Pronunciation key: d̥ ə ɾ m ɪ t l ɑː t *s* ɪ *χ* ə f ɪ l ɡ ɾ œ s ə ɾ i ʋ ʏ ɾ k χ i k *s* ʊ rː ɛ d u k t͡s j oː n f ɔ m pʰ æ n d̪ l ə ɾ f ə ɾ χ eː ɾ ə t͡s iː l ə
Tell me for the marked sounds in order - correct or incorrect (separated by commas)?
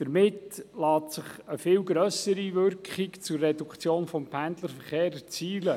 correct, correct, incorrect